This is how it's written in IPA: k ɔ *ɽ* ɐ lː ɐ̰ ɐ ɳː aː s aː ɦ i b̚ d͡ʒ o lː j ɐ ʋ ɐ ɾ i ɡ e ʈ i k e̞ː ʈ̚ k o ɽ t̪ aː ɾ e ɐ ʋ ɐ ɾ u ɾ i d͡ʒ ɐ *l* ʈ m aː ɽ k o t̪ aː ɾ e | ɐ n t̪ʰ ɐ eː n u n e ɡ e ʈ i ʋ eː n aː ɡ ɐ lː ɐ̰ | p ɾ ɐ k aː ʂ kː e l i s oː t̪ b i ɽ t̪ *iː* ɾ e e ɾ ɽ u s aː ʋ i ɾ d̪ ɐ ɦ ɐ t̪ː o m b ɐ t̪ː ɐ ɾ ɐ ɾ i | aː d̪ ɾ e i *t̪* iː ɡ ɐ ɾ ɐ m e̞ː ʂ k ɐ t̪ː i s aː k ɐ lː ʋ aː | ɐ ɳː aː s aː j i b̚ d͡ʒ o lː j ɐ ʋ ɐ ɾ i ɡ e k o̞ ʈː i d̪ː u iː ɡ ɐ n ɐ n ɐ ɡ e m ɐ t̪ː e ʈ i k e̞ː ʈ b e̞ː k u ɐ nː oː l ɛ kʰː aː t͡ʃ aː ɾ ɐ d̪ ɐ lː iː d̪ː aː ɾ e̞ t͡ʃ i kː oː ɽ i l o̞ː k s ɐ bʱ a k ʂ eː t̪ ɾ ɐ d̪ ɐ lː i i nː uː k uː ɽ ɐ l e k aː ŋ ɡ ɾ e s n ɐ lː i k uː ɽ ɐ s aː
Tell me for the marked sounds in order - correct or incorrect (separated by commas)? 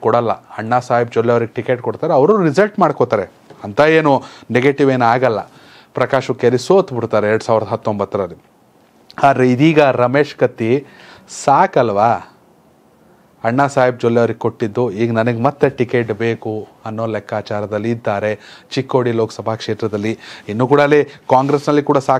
correct, correct, incorrect, incorrect